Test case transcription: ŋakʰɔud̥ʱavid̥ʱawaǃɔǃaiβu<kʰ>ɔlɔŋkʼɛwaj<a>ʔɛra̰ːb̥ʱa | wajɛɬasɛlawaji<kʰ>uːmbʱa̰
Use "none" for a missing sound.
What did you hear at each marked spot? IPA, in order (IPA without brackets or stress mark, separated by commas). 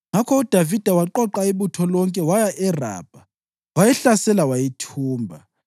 tʰ, a, tʰ